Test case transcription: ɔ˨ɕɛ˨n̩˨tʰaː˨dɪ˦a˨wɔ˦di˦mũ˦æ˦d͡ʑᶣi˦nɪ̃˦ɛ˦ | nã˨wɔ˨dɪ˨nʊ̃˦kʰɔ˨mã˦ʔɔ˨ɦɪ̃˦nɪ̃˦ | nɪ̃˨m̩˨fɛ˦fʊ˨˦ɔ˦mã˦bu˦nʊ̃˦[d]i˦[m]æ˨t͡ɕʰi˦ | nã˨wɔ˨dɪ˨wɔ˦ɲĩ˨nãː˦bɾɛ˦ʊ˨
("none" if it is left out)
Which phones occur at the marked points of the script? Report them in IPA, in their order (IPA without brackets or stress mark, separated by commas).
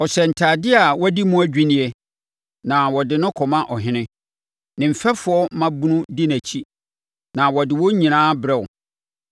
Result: d, n